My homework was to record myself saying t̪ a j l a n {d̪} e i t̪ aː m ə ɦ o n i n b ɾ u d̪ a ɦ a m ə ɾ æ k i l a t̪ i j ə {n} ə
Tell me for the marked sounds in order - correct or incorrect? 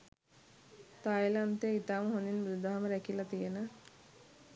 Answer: incorrect: t̪, correct

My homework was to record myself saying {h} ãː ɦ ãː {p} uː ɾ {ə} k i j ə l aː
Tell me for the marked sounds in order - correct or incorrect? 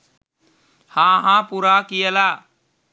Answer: correct, correct, incorrect: a

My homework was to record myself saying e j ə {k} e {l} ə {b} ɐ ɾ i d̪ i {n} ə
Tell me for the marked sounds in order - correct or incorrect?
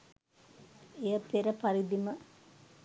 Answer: incorrect: p, incorrect: ɾ, incorrect: p, incorrect: m

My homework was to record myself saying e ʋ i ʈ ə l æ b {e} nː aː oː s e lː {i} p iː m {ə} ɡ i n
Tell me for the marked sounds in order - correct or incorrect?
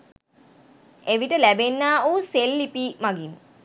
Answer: correct, correct, incorrect: a

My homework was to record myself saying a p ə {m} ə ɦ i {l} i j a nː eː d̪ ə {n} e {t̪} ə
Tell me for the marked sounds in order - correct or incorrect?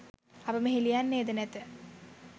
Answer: correct, correct, correct, correct

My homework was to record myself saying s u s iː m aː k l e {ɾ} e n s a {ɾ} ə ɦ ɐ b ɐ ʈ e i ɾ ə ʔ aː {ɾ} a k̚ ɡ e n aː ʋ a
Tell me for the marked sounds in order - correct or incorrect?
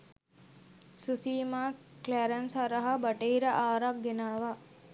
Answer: correct, correct, correct

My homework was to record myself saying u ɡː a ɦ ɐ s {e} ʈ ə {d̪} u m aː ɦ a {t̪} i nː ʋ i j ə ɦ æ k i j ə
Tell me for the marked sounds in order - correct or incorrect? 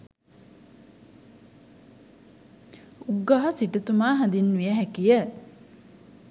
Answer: incorrect: i, incorrect: t̪, incorrect: d̪

